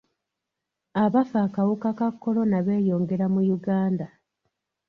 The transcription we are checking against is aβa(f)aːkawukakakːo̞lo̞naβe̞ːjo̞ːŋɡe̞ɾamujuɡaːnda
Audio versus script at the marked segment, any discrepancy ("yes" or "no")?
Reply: no